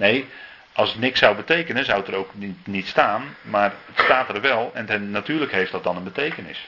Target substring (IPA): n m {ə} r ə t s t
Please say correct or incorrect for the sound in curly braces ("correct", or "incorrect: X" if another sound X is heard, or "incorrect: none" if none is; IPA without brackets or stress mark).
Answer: incorrect: a